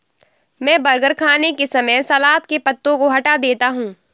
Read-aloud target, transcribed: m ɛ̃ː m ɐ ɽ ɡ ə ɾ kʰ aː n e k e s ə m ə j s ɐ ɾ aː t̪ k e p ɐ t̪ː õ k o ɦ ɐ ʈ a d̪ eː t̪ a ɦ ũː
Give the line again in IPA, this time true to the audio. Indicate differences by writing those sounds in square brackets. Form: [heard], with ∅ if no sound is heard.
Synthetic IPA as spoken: m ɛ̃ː [b] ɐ [ɾ] ɡ ə ɾ kʰ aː n e k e s [ɐ] m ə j s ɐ [l] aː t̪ k e p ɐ t̪ː õ k o ɦ ɐ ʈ a d̪ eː t̪ a ɦ ũː